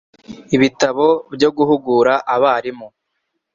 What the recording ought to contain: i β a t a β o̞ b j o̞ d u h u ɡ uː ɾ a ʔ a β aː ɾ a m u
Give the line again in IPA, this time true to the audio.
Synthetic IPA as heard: i β i t a β o̞ b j o̞ ɡ u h u ɡ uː ɾ a ʔ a β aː ɾ i m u